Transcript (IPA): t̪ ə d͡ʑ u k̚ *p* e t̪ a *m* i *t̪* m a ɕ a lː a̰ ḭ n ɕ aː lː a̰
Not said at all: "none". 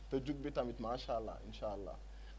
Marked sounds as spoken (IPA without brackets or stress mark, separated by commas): b, m, t̪